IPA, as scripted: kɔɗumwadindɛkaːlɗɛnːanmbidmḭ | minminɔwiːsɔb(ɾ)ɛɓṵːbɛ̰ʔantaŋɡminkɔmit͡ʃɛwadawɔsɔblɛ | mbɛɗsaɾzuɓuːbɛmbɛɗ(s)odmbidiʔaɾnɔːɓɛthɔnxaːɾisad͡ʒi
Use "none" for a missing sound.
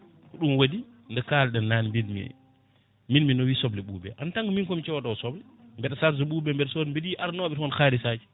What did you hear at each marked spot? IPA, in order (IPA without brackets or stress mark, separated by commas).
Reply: l, s